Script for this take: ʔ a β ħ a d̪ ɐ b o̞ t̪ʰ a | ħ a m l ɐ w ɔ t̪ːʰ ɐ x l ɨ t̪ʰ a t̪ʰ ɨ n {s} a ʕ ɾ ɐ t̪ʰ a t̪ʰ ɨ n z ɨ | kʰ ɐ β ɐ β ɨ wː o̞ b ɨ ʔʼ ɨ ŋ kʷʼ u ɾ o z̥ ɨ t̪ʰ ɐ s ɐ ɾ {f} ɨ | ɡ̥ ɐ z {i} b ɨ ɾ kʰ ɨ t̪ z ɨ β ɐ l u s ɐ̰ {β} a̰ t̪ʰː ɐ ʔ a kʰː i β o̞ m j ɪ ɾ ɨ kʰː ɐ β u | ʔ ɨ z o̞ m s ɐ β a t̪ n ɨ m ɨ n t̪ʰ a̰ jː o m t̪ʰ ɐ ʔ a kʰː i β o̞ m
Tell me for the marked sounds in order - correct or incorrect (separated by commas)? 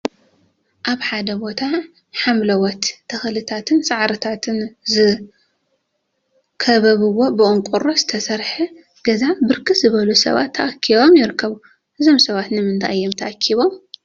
correct, incorrect, incorrect, correct